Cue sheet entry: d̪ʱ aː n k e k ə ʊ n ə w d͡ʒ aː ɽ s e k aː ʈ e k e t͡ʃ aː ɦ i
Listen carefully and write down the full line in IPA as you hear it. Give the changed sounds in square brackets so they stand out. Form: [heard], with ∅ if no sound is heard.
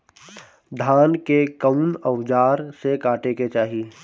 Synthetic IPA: d̪ʱ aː n k e k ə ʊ n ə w d͡ʒ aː [ɾ] s e k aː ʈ e k e t͡ʃ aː ɦ i